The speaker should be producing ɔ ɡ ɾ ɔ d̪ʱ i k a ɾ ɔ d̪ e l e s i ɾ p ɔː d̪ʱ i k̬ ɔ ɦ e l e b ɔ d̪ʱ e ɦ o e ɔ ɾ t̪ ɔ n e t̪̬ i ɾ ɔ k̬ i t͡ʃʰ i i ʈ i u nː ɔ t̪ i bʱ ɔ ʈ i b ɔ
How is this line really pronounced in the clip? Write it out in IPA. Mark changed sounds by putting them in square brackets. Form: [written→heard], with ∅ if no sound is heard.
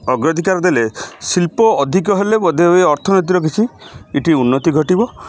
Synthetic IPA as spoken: ɔ ɡ ɾ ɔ d̪ʱ i k a ɾ ɔ d̪ e l e s i [ɾ→l] p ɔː d̪ʱ i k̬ ɔ ɦ e l e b ɔ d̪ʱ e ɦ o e ɔ ɾ [t̪→t̪ʰ] ɔ n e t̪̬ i ɾ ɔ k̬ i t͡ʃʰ i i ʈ i u nː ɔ t̪ i [bʱ→ɡʱ] ɔ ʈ i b ɔ